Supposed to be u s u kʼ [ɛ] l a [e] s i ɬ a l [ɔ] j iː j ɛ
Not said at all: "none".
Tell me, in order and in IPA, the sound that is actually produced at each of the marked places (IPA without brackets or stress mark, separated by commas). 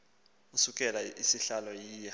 ɛ, i, ɔ